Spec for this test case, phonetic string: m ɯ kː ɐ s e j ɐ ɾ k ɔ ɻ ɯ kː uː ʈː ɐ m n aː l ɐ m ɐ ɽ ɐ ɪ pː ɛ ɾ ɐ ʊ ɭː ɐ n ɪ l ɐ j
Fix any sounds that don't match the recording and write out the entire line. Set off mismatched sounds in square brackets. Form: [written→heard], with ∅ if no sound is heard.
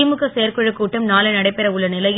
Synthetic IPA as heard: m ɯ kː ɐ s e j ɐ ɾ k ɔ ɻ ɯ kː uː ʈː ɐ m n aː l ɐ [m→n] ɐ ɽ ɐ ɪ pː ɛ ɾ ɐ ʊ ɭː ɐ n ɪ l ɐ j